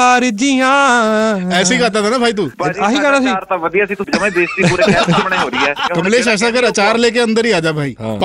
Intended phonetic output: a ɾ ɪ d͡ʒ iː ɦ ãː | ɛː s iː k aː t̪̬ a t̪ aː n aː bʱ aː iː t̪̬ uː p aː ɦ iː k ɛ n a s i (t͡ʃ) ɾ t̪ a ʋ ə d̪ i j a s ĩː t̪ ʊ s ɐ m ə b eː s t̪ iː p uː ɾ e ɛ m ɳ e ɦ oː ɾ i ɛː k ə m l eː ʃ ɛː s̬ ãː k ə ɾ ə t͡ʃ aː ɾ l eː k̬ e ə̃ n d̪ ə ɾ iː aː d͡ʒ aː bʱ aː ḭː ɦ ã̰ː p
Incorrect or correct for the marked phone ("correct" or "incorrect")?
incorrect